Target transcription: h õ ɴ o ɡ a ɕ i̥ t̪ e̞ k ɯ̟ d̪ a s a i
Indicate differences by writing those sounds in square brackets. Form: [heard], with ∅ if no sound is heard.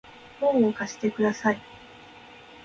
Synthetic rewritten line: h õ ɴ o [k] a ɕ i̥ t̪ e̞ k ɯ̟ d̪ a s a i